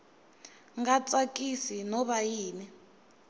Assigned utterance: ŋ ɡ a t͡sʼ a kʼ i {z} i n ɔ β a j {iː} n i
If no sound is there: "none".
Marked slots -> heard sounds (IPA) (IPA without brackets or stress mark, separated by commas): s, iː